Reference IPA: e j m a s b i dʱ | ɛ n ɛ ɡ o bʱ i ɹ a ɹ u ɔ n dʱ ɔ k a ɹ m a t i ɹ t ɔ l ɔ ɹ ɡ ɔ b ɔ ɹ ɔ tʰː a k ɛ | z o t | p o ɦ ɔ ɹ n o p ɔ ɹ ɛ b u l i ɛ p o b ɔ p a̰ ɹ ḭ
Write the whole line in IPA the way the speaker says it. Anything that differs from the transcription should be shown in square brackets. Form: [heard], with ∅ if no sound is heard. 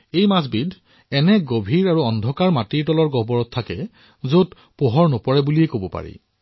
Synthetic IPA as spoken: e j m a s b i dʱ | ɛ n ɛ ɡ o bʱ i ɹ a ɹ u ɔ n dʱ ɔ k a ɹ m a t i ɹ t ɔ l ɔ ɹ ɡ ɔ b ɔ ɹ ɔ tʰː a k ɛ | z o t | p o ɦ ɔ ɹ n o p ɔ ɹ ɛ b u l i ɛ [k] o b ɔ p a̰ ɹ ḭ